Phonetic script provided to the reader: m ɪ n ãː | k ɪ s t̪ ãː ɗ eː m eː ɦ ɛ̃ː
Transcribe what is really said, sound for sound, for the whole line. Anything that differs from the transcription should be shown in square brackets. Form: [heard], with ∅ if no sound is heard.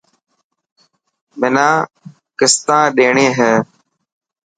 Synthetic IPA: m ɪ n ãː | k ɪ s t̪ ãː ɗ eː [ɳ] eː ɦ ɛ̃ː